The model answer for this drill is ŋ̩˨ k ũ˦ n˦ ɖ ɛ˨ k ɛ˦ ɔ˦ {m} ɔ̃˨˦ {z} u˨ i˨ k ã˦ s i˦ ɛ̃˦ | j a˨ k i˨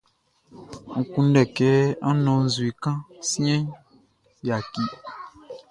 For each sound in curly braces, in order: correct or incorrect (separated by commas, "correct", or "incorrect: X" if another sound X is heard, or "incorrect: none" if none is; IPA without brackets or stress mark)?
incorrect: n, correct